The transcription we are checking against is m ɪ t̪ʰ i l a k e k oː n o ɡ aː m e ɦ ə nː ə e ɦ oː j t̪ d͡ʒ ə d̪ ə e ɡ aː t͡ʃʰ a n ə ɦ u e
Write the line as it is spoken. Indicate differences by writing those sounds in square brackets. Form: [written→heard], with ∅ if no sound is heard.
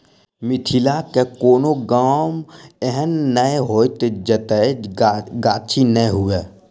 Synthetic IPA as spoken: m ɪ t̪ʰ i l a k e k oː n o ɡ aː m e ɦ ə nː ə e ɦ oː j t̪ d͡ʒ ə [d̪→t̪] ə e ɡ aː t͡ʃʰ [a→i] n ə ɦ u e